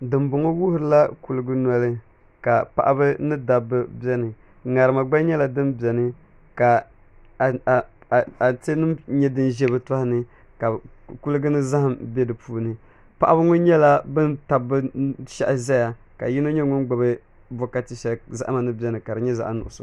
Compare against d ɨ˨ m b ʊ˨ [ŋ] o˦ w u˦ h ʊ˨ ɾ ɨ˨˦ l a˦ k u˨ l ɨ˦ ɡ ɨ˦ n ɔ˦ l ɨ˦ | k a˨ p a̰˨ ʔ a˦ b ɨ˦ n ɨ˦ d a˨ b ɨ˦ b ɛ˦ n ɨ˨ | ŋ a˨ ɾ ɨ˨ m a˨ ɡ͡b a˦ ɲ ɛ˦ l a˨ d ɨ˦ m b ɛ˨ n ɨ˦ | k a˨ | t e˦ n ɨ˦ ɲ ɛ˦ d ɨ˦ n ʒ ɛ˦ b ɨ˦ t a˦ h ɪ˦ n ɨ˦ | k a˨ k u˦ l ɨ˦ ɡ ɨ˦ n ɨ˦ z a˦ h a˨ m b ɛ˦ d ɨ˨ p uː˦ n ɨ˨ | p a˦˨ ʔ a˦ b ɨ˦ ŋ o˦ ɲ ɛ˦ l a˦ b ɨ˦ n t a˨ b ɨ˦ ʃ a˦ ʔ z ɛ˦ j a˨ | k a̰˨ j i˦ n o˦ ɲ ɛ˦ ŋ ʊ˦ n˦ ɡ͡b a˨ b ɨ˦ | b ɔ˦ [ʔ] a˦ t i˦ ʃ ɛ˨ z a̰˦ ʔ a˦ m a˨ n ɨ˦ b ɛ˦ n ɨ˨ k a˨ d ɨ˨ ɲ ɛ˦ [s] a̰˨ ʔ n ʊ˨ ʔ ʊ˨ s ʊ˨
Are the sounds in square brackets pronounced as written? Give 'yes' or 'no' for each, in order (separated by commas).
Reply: yes, no, no